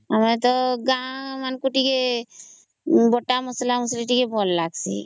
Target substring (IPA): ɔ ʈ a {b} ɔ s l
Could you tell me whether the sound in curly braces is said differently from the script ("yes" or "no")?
yes